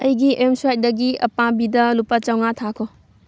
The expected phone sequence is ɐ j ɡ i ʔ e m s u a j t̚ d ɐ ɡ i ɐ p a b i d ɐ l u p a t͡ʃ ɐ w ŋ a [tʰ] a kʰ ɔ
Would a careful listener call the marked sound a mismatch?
no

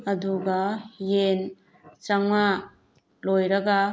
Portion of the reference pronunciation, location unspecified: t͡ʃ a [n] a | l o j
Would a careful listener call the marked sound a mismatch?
yes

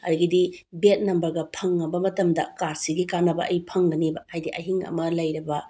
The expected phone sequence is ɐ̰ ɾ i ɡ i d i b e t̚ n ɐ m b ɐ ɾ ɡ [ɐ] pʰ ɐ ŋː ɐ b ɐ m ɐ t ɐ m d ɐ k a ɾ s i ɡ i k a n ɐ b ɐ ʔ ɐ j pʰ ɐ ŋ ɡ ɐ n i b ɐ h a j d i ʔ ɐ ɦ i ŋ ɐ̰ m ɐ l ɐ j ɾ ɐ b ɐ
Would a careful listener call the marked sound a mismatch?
no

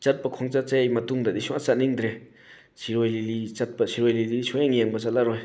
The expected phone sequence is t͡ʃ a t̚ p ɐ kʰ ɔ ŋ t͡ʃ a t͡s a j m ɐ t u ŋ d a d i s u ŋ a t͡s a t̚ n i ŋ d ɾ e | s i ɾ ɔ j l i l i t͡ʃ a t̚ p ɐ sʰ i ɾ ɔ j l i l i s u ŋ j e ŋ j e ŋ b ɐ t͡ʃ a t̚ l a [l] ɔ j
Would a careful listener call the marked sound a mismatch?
yes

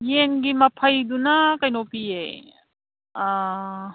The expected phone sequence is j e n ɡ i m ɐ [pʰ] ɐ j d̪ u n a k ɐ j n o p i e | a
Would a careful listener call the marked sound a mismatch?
no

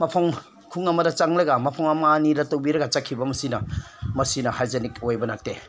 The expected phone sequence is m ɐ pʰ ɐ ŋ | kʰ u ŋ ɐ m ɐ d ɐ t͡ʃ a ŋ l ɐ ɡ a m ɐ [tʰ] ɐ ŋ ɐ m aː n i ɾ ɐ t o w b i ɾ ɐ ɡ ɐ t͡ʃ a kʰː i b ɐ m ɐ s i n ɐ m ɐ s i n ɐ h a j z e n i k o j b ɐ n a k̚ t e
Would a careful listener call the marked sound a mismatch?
yes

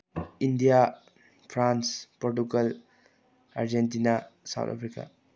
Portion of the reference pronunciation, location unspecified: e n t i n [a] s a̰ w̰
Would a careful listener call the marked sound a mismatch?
no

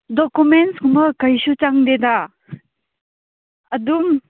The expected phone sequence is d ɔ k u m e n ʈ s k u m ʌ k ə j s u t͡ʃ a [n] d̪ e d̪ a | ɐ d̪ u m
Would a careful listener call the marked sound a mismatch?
yes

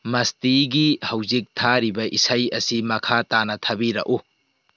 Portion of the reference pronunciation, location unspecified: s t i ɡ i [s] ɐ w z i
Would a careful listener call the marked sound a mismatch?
yes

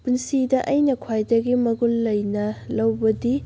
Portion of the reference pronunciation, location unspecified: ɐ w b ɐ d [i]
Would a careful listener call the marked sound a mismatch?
no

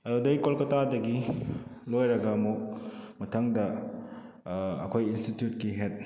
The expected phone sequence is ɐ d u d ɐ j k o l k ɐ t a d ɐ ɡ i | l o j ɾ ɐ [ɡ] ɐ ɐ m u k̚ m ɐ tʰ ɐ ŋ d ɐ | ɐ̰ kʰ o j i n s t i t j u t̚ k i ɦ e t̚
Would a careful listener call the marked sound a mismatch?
no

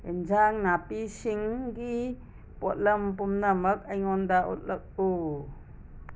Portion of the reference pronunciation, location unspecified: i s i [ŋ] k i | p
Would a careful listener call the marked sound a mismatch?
no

